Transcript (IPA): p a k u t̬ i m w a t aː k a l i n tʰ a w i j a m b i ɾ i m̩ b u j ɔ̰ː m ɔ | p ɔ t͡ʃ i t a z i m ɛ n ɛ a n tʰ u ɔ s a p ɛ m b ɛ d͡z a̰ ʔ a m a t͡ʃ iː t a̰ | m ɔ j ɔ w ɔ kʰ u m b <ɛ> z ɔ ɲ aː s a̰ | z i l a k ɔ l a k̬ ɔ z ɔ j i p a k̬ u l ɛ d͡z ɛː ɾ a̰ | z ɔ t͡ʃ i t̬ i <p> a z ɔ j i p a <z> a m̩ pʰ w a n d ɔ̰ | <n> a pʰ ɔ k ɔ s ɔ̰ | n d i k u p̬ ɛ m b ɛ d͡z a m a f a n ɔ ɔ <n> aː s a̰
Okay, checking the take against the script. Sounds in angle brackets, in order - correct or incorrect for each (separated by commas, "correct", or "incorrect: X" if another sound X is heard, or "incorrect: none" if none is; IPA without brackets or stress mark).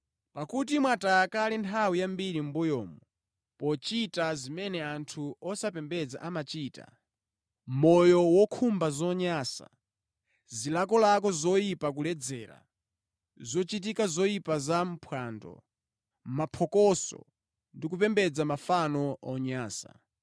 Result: incorrect: a, incorrect: k, correct, incorrect: m, incorrect: ɲ